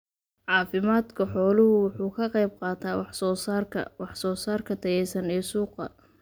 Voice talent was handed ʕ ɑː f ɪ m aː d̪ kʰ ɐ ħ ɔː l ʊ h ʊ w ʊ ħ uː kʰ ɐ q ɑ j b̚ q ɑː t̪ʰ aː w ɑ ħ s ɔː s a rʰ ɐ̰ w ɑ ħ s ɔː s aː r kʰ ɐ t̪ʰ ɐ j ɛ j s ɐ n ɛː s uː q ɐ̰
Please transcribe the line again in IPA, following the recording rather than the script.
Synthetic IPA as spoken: ʕ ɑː f ɪ m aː d̪ kʰ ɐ ħ ɔː l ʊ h ʊ w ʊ ħ uː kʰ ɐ q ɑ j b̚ q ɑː t̪ʰ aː w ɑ ħ s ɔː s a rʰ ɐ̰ w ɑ ħ s ɔː s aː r kʰ ɐ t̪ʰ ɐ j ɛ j s ɐ n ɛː s uː q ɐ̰